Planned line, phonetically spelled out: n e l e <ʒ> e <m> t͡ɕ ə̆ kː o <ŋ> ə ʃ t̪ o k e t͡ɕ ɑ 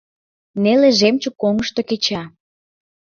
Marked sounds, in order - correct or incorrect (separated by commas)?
correct, correct, correct